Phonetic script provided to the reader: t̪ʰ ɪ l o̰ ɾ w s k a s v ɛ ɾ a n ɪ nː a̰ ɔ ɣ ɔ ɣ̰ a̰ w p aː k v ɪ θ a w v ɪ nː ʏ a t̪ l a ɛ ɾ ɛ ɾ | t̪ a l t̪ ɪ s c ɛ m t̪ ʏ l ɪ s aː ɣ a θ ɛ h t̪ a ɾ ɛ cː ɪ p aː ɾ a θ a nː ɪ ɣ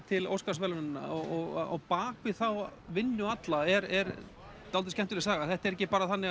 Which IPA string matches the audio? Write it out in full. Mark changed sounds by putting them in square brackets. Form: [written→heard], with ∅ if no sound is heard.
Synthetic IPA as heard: t̪ʰ ɪ l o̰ [ɾ→∅] w s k a s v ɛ [ɾ→l] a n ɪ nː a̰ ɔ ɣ ɔ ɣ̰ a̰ w p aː k v ɪ θ a w v ɪ nː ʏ a t̪ l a ɛ ɾ ɛ ɾ | t̪ a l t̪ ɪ s c ɛ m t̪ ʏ l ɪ s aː ɣ a θ ɛ h t̪ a ɾ ɛ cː ɪ p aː ɾ a θ a nː ɪ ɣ